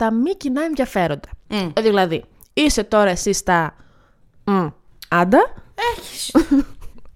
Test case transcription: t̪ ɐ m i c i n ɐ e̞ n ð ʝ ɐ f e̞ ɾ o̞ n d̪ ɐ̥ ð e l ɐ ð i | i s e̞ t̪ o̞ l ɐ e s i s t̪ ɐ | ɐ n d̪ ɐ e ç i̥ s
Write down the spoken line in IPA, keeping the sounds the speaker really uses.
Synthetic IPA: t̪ ɐ m i c i n ɐ e̞ n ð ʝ ɐ f e̞ ɾ o̞ n d̪ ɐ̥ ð i l ɐ ð i | i s e̞ t̪ o̞ ɾ ɐ e s i s t̪ ɐ | ɐ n d̪ ɐ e ç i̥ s